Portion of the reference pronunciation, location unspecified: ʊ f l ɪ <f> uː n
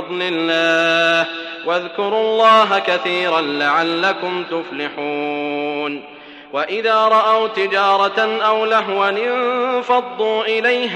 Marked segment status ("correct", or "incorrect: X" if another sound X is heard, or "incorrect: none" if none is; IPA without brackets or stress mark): incorrect: ħ